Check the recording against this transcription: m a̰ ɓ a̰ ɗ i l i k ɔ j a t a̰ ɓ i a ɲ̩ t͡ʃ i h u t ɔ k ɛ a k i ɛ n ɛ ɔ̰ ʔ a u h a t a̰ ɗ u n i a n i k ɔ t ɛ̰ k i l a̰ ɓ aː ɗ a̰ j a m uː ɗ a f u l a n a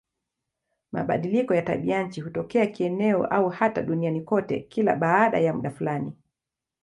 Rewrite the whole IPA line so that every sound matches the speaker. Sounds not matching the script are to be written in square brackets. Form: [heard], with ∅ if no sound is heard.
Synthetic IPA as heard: m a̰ ɓ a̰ ɗ i l i k ɔ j a t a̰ ɓ i a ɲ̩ t͡ʃ i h u t ɔ k ɛ a k i ɛ n ɛ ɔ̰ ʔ a u h a t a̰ ɗ u n i a n i k ɔ t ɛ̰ k i l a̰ ɓ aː ɗ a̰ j a m [u] ɗ a f u l a n [i]